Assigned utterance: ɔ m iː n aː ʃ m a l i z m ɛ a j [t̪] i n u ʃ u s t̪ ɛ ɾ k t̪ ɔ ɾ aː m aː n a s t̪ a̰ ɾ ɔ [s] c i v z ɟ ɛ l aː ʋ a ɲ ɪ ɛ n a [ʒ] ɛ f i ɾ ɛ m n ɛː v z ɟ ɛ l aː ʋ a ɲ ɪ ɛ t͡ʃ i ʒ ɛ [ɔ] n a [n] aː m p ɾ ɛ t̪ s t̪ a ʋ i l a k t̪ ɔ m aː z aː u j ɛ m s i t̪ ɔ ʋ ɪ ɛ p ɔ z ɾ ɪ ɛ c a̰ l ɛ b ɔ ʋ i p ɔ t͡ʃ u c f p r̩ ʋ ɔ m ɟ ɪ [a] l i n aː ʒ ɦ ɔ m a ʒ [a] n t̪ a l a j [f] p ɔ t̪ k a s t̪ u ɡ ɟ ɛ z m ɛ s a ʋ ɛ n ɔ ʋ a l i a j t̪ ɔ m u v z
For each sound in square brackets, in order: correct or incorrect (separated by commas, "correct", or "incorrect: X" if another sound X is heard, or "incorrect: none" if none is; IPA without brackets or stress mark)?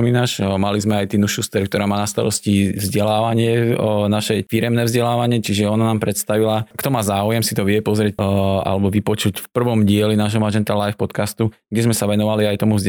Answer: correct, correct, incorrect: ʃ, correct, correct, incorrect: ɛ, incorrect: ɛ, correct